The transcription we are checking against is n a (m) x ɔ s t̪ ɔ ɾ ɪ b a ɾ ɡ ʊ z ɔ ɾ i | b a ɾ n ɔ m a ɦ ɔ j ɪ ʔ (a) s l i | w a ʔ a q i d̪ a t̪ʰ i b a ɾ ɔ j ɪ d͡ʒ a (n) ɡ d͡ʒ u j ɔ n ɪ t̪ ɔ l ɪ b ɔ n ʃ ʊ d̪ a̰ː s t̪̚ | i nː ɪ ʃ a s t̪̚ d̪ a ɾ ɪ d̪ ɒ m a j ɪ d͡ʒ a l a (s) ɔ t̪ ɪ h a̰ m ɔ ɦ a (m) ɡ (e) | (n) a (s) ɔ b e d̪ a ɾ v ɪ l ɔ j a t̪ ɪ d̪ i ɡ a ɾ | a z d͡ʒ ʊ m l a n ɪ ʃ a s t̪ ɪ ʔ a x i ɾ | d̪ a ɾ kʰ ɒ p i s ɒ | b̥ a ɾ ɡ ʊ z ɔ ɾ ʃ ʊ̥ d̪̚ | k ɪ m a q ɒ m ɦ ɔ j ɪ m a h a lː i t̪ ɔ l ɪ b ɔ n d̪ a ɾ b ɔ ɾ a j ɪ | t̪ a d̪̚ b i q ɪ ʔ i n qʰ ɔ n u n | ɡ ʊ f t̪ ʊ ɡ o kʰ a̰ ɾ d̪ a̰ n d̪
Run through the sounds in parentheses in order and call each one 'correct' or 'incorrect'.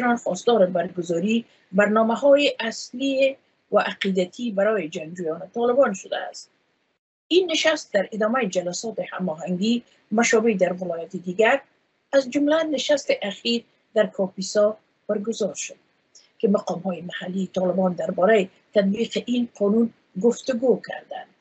incorrect: n, correct, incorrect: ŋ, correct, incorrect: ŋ, incorrect: i, incorrect: m, incorrect: ʃ

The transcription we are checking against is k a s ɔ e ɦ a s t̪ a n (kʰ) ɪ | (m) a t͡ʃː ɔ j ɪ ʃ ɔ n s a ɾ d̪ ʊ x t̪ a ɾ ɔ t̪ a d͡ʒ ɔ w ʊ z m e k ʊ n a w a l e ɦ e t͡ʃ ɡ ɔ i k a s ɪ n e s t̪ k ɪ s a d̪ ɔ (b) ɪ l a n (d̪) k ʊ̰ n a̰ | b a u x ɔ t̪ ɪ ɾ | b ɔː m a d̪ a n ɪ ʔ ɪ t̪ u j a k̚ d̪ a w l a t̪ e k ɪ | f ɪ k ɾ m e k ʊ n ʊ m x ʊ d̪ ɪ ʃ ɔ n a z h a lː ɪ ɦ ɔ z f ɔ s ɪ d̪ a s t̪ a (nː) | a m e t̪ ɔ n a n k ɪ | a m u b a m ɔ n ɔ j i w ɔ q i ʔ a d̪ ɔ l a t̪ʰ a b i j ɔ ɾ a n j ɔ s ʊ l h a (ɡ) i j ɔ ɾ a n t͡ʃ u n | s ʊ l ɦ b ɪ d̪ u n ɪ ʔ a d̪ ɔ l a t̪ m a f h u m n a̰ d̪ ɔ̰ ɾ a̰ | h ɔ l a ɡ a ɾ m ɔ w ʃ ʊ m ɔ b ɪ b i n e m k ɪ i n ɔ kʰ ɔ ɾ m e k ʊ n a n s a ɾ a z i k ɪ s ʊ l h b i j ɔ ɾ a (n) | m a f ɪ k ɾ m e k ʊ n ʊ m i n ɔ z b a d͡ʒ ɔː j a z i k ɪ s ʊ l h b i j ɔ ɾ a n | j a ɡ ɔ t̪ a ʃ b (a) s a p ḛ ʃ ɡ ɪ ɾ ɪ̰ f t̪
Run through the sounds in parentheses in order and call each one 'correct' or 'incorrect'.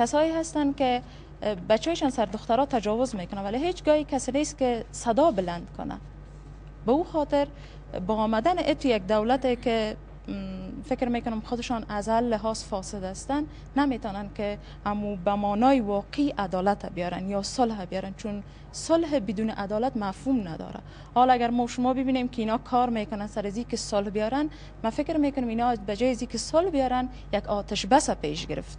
incorrect: k, incorrect: b, correct, correct, correct, incorrect: b, correct, correct

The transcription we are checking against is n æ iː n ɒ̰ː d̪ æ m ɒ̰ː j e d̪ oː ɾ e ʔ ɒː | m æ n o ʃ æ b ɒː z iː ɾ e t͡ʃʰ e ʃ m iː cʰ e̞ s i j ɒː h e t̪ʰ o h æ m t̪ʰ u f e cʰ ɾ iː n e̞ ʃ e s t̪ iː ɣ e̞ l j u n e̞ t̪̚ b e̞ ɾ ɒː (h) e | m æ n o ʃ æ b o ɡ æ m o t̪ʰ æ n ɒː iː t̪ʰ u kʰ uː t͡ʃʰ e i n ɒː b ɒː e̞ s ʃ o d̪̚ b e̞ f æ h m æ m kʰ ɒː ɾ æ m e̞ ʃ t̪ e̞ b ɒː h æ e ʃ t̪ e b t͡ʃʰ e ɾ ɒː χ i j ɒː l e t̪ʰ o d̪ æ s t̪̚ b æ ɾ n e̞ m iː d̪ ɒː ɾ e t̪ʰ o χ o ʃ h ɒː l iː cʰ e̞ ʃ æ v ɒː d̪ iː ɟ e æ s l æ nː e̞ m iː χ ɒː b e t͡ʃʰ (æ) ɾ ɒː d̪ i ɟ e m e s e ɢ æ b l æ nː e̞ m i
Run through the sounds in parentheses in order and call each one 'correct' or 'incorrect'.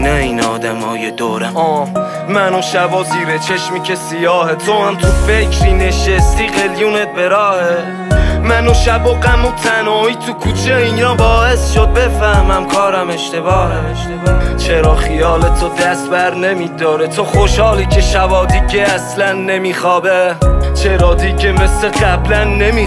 correct, incorrect: e

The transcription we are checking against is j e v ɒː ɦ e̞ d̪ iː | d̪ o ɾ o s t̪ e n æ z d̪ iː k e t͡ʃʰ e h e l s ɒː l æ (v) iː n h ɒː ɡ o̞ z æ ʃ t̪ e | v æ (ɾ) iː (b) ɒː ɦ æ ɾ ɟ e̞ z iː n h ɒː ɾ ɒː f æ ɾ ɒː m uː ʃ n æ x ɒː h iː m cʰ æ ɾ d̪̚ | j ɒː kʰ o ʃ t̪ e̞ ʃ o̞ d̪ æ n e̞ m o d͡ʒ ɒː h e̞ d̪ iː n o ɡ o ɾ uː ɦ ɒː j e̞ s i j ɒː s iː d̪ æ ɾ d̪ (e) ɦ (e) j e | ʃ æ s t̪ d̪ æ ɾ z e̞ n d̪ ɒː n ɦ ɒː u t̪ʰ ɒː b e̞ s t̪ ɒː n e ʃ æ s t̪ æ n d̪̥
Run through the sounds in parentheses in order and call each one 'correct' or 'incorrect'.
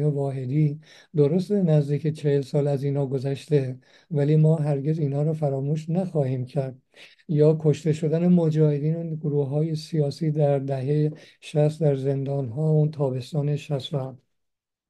incorrect: z, incorrect: l, incorrect: m, incorrect: æ, correct

